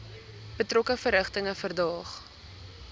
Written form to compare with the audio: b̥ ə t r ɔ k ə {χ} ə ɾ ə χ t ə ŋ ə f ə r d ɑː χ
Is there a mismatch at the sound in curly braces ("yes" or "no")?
yes